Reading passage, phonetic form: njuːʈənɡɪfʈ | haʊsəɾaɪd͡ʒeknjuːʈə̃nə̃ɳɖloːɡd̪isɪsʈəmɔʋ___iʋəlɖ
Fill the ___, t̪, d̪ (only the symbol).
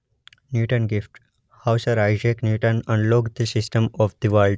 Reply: d̪